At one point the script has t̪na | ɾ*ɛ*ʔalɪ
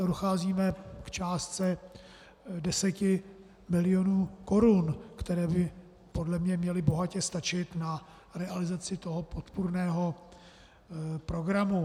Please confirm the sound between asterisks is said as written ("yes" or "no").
yes